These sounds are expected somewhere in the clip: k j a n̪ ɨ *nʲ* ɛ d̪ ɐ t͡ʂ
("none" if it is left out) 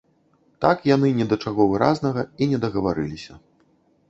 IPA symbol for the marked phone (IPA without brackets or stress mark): nʲ